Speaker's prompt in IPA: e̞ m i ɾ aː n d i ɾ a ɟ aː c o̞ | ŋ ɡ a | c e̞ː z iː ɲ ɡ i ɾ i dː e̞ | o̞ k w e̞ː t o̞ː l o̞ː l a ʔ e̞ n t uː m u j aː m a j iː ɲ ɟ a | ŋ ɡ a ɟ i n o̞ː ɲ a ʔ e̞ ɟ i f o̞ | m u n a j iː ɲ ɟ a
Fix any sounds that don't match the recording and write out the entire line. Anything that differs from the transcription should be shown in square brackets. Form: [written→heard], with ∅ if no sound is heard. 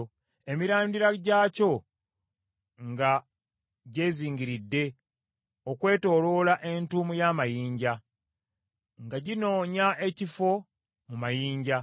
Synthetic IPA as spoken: e̞ m i ɾ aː n d i ɾ a ɟ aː c o̞ | ŋ ɡ a | [c→ɟ] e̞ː z iː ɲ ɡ i ɾ i dː e̞ | o̞ k w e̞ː t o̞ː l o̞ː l a ʔ e̞ n t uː m u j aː m a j iː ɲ ɟ a | ŋ ɡ a ɟ i n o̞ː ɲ a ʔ e̞ [ɟ→c] i f o̞ | m u [n→m] a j iː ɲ ɟ a